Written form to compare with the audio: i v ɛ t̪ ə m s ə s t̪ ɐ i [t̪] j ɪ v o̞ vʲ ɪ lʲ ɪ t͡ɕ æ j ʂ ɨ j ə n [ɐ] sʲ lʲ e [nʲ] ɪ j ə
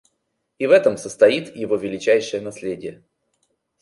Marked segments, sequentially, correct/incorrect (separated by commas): correct, correct, incorrect